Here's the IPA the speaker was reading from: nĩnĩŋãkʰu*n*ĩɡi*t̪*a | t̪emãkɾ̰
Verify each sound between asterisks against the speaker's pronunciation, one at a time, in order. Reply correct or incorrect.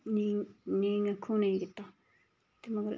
correct, correct

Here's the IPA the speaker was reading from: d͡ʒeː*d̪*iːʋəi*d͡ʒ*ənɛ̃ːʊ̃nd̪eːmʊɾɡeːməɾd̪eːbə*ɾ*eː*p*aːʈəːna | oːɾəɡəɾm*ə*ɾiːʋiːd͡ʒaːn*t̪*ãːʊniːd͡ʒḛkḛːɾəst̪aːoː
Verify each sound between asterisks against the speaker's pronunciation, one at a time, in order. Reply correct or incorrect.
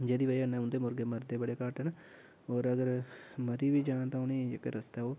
correct, incorrect, incorrect, incorrect, correct, correct

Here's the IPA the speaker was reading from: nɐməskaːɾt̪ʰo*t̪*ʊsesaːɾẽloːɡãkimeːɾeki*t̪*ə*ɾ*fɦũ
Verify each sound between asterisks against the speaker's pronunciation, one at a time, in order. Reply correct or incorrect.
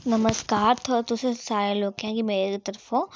correct, correct, correct

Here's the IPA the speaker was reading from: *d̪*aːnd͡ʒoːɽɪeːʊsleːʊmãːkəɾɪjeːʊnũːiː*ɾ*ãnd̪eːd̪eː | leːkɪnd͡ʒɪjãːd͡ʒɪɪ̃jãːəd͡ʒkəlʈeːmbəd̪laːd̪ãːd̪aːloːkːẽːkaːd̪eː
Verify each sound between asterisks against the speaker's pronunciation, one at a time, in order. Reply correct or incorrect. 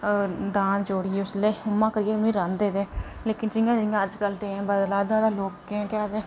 correct, correct

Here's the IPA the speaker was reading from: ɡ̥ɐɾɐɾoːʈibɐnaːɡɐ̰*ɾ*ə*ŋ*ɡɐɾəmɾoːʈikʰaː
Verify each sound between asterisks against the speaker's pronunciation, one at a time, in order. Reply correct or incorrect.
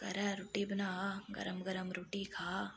correct, incorrect

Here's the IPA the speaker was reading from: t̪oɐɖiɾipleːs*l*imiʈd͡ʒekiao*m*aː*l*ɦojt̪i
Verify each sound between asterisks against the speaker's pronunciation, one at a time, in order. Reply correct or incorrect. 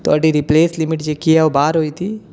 correct, incorrect, incorrect

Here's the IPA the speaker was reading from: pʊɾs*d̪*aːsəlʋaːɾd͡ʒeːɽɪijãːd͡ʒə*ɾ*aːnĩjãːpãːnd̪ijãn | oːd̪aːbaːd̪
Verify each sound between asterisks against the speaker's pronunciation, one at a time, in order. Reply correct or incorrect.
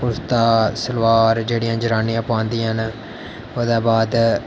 incorrect, correct

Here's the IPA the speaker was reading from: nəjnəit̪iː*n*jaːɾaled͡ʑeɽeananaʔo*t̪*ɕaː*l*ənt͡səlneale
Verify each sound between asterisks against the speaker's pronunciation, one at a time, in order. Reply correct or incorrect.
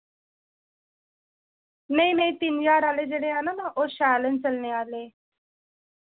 correct, incorrect, correct

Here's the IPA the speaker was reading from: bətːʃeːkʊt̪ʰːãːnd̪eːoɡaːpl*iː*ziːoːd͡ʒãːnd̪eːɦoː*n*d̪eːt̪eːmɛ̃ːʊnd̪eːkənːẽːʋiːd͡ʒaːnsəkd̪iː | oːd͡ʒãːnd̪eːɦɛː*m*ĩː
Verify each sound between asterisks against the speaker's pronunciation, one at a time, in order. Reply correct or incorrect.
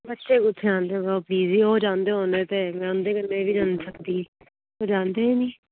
correct, correct, incorrect

